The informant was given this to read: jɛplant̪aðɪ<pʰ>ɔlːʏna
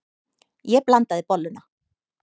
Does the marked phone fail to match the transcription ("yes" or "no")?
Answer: yes